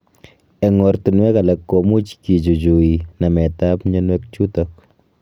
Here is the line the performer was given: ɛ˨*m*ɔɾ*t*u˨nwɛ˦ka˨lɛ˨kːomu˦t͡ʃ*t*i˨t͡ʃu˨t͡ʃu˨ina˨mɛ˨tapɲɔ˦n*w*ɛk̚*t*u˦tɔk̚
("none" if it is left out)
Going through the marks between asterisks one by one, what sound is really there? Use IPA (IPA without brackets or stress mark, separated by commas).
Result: ŋ, t, k, w, t͡ʃ